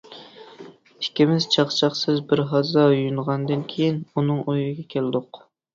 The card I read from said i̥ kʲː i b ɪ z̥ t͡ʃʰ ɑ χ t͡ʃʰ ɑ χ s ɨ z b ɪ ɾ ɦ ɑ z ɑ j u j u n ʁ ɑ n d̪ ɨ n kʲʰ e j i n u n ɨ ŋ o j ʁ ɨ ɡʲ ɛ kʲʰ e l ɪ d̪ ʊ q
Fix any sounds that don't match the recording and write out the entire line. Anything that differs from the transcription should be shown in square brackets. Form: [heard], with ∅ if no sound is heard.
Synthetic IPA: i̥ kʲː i [m] ɪ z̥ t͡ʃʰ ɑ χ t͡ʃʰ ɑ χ s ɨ z b ɪ ɾ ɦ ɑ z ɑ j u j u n ʁ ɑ n d̪ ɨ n kʲʰ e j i n u n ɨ ŋ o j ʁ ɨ ɡʲ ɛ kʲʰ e l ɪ d̪ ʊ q